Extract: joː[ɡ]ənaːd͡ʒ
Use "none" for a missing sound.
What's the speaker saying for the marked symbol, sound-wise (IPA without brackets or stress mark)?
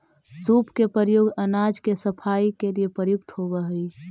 ɡ